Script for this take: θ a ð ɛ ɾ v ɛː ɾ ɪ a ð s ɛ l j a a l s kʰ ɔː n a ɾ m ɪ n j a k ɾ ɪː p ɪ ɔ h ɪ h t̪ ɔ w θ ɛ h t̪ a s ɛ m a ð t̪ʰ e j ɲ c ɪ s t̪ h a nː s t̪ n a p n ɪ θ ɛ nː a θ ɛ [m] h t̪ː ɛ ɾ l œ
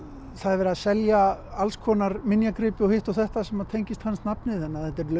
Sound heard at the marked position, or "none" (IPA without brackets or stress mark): none